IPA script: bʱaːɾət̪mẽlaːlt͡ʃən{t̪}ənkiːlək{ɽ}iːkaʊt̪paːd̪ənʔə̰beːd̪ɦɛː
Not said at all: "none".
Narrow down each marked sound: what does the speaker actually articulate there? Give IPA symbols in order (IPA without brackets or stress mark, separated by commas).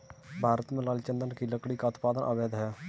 d̪, ɽ